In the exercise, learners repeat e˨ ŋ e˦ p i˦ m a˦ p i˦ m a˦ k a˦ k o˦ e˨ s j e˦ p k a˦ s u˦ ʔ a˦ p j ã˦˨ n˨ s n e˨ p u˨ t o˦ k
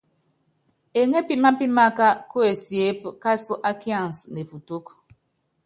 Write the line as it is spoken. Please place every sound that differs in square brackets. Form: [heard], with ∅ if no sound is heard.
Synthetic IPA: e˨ ŋ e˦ p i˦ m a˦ p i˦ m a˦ k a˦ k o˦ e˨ s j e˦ p k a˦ s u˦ ʔ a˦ [k] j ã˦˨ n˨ s n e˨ p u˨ t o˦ k